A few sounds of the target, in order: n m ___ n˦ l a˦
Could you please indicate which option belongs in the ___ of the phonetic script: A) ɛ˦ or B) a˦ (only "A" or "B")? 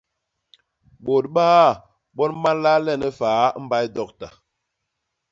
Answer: B